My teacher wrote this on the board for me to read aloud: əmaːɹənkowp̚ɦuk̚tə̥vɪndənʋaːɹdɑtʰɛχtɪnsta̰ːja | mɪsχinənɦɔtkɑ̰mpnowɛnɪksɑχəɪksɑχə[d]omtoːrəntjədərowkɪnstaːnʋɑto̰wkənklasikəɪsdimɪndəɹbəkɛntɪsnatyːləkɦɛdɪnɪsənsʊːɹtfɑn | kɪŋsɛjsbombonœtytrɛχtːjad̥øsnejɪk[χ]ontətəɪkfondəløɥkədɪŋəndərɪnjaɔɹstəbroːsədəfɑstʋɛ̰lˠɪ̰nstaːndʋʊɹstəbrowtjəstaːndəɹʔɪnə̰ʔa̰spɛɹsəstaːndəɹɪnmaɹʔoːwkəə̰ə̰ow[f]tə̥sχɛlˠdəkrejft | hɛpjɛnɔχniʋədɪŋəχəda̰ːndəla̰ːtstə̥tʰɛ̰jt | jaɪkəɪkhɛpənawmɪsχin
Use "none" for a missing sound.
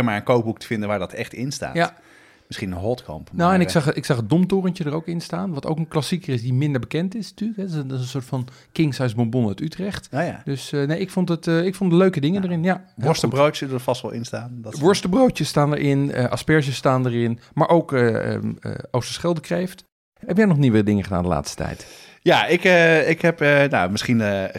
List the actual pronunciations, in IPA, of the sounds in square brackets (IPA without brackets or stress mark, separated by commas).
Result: d, f, s